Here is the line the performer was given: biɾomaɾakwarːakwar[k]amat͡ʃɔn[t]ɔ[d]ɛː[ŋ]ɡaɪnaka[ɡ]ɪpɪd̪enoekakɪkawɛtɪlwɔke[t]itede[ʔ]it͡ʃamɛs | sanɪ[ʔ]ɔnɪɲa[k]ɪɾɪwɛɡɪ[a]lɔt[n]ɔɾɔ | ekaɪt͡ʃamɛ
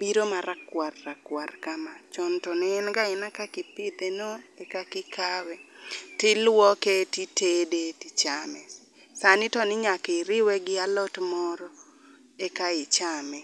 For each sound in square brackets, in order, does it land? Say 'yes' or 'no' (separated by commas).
yes, yes, no, no, no, yes, no, no, yes, yes, no